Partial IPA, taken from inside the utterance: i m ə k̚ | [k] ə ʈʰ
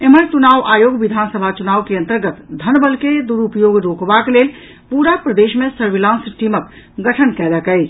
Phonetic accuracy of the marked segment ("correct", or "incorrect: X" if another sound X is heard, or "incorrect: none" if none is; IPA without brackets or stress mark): incorrect: ɡ